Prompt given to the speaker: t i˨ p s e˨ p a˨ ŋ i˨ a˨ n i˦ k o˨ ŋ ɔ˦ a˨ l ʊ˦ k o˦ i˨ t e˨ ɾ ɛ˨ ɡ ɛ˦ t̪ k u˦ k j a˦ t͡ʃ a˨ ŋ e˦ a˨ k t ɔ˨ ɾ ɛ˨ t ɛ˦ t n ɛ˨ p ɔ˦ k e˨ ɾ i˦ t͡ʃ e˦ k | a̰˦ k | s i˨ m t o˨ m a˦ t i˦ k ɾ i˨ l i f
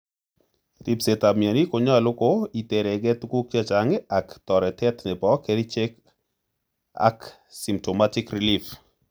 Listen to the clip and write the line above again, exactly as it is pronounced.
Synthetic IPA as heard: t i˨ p s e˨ t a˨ m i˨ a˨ n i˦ k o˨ ɲ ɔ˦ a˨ l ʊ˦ k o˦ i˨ t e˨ ɾ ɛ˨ ɡ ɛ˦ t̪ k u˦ k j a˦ t͡ʃ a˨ ŋ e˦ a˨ k t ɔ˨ ɾ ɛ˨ t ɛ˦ t n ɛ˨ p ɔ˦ k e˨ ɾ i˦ t͡ʃ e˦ k | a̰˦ k | s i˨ m t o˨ m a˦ t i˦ k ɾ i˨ l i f